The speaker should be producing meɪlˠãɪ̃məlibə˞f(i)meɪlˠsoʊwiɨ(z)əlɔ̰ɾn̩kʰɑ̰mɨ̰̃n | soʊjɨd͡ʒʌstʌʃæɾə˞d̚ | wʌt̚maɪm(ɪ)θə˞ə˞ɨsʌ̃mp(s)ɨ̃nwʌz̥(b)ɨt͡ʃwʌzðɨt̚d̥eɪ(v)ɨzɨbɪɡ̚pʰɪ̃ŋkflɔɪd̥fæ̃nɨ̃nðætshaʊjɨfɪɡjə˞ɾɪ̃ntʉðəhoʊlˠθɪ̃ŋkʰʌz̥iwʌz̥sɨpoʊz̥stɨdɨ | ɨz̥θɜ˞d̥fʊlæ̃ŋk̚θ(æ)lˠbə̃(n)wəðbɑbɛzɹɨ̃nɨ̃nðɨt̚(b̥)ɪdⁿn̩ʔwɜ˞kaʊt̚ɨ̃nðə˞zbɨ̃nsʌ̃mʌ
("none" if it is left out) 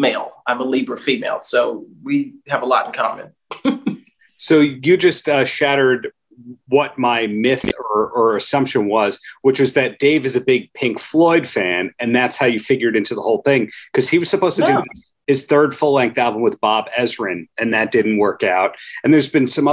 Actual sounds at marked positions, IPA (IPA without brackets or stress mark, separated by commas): i, v, ɪ, ʃ, w, v, æ, m, d̥